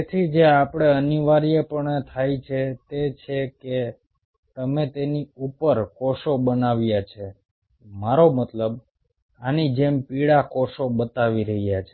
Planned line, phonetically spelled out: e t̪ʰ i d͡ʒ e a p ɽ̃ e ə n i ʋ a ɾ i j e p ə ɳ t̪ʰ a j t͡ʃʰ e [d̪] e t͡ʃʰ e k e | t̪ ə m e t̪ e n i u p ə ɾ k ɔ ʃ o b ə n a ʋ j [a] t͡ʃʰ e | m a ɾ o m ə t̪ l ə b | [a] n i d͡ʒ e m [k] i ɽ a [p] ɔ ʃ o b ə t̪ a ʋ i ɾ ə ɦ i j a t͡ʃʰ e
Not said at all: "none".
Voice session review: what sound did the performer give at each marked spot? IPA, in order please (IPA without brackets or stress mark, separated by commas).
t̪, a, a, p, k